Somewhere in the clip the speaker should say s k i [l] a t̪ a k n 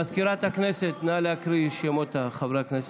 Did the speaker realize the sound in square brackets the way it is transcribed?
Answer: no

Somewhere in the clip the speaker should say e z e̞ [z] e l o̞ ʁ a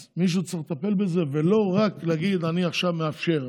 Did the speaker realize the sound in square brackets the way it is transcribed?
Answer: no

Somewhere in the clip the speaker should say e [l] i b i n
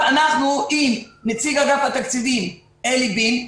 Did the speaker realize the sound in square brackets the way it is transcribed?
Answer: yes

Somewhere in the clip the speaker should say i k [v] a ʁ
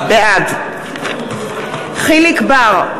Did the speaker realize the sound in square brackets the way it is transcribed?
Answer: no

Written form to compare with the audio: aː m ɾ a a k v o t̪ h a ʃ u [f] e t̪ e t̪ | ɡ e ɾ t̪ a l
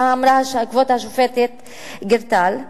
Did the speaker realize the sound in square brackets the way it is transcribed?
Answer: yes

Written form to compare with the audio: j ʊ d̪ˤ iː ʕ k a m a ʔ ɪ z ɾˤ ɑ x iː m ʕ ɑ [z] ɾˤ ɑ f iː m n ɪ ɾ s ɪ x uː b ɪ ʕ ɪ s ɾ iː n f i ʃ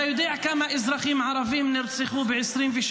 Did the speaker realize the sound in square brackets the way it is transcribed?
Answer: no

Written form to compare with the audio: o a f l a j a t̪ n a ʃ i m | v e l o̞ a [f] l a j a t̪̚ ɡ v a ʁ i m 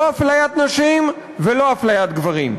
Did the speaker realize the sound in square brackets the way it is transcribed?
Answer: yes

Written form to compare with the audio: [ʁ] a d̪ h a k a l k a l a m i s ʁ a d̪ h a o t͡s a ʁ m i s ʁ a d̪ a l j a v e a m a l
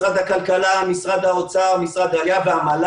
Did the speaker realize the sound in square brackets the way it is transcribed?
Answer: yes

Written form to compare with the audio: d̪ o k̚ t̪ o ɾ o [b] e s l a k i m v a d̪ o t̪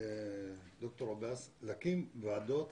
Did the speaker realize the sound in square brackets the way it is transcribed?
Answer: yes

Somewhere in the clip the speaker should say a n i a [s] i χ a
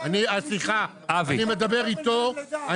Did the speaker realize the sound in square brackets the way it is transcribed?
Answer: yes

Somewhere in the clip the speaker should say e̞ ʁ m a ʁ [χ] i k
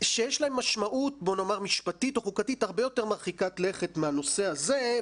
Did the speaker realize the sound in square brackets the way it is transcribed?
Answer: yes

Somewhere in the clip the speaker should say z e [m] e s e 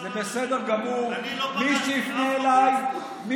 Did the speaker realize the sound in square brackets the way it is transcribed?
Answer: no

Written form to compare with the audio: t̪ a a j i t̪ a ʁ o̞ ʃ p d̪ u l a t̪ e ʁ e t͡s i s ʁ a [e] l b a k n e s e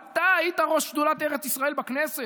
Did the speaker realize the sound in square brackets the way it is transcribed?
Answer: yes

